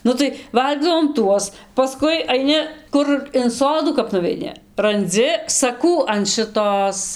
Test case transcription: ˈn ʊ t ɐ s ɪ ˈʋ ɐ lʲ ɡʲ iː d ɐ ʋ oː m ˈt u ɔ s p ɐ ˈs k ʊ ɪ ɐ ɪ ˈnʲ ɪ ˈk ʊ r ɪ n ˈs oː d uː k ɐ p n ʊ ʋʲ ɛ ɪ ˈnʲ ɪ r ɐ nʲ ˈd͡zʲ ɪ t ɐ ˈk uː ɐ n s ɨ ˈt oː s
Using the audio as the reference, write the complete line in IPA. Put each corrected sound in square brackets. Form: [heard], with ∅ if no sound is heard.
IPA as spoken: ˈn ʊ t ɐ [∅] ɪ ˈʋ ɐ lʲ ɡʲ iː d ɐ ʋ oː m ˈt u ɔ s p ɐ ˈs k ʊ ɪ ɐ ɪ ˈnʲ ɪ ˈk ʊ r ɪ n ˈs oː d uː k ɐ p n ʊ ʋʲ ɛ ɪ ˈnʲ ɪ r ɐ nʲ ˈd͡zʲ ɪ [s] ɐ ˈk uː ɐ n [ʃ] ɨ ˈt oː s

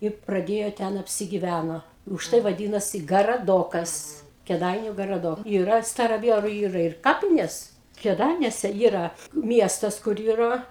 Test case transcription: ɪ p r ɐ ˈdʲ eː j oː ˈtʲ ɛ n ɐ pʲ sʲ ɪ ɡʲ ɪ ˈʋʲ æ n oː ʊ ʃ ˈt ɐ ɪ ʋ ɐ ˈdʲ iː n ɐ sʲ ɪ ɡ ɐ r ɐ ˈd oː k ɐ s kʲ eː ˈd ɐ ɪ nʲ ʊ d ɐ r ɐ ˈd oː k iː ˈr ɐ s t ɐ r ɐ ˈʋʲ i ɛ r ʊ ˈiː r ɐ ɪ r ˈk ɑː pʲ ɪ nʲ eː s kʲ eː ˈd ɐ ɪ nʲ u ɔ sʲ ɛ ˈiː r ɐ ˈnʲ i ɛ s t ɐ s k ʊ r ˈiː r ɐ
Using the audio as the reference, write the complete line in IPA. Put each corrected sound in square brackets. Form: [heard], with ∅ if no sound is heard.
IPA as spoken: ɪ p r ɐ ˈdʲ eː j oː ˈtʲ ɛ n ɐ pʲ sʲ ɪ ɡʲ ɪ ˈʋʲ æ n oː ʊ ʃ ˈt ɐ ɪ ʋ ɐ ˈdʲ iː n ɐ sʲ ɪ ɡ ɐ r ɐ ˈd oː k ɐ s kʲ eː ˈd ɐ ɪ nʲ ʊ [ɡ] ɐ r ɐ ˈd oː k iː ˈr ɐ s t ɐ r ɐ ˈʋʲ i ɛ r ʊ ˈiː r ɐ ɪ r ˈk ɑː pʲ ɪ nʲ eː s kʲ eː ˈd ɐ ɪ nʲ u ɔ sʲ ɛ ˈiː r ɐ [ˈmʲ] i ɛ s t ɐ s k ʊ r ˈiː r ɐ

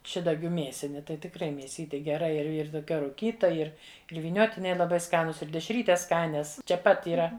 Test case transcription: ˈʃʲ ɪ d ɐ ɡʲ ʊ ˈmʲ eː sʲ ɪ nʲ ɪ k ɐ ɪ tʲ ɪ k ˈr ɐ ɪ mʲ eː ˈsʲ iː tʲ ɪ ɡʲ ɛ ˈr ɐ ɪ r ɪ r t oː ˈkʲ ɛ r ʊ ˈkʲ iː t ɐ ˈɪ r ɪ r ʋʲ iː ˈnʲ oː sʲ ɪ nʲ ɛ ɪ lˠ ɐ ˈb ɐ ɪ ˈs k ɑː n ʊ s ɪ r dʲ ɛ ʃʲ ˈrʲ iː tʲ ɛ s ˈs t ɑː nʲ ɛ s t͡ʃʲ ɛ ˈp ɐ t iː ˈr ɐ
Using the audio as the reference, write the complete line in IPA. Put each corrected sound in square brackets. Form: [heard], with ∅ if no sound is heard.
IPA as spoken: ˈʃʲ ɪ d ɐ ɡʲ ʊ ˈmʲ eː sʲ ɪ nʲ ɪ [t] ɐ ɪ tʲ ɪ k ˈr ɐ ɪ mʲ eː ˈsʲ iː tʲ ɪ ɡʲ ɛ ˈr ɐ ɪ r ɪ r t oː ˈkʲ ɛ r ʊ ˈkʲ iː t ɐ ˈɪ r ɪ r ʋʲ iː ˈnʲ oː [tʲ] ɪ nʲ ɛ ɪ lˠ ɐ ˈb ɐ ɪ ˈs k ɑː n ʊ s ɪ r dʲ ɛ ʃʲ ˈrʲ iː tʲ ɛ s ˈs [k] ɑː nʲ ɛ s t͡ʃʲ ɛ ˈp ɐ t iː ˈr ɐ

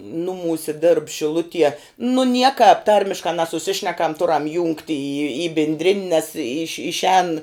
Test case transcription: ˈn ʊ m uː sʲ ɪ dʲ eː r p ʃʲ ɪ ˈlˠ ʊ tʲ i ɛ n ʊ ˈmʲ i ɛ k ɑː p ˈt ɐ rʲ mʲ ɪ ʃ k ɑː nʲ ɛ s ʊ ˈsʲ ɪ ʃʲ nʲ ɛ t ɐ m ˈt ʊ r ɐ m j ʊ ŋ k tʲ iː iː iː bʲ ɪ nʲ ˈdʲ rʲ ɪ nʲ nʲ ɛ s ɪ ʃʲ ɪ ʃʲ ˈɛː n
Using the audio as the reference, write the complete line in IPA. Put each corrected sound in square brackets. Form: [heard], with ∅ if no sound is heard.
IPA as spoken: ˈn ʊ m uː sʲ ɪ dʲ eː r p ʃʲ ɪ ˈlˠ ʊ tʲ i ɛ n ʊ [ˈnʲ] i ɛ k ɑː p ˈt ɐ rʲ mʲ ɪ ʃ k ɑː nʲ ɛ s ʊ ˈsʲ ɪ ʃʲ nʲ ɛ [k] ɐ m ˈt ʊ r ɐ m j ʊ ŋ k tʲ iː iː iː bʲ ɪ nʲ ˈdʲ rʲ ɪ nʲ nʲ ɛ s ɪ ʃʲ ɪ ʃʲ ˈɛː n

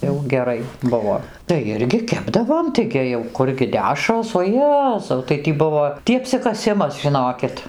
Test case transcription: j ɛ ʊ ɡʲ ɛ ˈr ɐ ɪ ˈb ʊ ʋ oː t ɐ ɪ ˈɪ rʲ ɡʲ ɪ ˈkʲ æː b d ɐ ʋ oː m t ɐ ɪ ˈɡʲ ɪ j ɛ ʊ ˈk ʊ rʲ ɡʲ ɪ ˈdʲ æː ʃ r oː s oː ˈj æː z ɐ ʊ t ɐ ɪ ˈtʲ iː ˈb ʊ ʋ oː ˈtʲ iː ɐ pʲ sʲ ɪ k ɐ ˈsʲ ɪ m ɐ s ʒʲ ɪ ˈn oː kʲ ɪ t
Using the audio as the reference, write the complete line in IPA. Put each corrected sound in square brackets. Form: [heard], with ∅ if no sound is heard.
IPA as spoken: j ɛ ʊ ɡʲ ɛ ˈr ɐ ɪ ˈb ʊ ʋ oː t ɐ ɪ ˈɪ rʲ ɡʲ ɪ ˈkʲ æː b d ɐ ʋ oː m t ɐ ɪ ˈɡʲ ɪ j ɛ ʊ ˈk ʊ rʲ ɡʲ ɪ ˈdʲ æː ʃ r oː s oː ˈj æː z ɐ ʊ t ɐ ɪ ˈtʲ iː ˈb ʊ ʋ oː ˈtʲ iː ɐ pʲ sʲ ɪ k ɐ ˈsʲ ɪ m ɐ s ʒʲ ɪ ˈn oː kʲ ɪ t

